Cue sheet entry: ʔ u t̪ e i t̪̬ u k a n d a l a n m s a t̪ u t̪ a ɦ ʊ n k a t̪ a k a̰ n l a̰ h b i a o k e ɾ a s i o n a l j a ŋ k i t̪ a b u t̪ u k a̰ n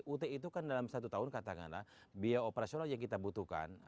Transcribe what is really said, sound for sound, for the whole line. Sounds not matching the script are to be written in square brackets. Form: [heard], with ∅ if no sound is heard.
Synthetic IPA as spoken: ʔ u t̪ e i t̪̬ u k a n d a l a [∅] m s a t̪ u t̪ a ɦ ʊ n k a t̪ a k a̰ n l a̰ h b i a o [p] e ɾ a s i o n a l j a ŋ k i t̪ a b u t̪ u k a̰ n